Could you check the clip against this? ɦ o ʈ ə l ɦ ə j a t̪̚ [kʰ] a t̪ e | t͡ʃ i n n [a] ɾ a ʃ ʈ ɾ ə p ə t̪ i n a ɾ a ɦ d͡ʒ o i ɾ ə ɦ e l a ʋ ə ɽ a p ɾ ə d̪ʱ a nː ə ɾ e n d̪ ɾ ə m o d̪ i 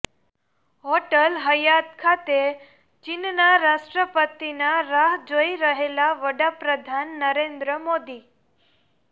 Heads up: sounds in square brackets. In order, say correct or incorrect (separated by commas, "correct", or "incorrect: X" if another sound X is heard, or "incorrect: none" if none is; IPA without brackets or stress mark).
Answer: correct, correct